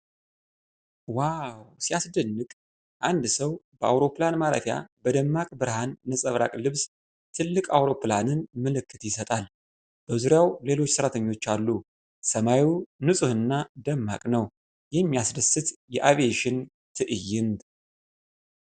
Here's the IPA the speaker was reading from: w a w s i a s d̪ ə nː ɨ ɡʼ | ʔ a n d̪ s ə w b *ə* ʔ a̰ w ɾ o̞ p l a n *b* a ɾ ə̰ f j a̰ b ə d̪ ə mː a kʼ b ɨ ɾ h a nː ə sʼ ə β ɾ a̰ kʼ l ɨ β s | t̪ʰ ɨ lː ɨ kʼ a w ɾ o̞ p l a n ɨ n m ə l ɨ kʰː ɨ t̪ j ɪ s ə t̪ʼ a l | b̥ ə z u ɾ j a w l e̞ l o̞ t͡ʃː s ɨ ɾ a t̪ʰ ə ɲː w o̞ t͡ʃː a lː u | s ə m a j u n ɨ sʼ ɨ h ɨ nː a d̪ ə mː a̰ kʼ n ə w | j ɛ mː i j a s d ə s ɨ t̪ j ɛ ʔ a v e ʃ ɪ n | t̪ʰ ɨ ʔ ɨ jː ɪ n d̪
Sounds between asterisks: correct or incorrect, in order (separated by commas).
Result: correct, incorrect